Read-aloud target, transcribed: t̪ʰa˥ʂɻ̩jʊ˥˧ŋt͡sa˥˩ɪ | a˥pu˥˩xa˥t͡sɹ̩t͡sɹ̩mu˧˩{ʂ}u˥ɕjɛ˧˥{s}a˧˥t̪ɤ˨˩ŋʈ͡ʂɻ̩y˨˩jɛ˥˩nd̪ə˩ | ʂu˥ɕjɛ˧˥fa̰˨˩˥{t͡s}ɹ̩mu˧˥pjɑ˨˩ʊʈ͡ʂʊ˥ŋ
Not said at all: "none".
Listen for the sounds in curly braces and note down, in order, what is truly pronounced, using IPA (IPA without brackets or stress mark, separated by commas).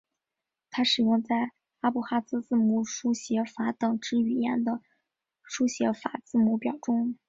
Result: ʂ, f, t͡s